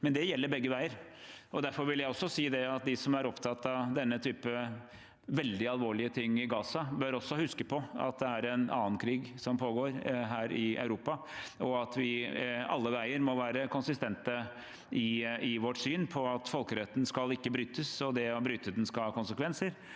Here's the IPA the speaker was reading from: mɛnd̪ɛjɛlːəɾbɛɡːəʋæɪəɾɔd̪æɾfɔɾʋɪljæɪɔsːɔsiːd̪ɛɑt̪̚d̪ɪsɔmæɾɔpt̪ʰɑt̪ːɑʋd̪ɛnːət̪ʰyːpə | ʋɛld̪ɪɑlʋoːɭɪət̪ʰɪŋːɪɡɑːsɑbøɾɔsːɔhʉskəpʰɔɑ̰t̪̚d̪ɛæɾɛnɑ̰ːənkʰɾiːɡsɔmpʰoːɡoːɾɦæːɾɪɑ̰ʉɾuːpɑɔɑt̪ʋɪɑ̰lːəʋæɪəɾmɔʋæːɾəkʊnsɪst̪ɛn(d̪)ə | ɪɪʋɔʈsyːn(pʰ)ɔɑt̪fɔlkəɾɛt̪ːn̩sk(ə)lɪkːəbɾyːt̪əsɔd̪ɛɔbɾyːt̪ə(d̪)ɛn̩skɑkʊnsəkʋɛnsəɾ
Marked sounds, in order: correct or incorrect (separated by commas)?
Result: incorrect, correct, incorrect, correct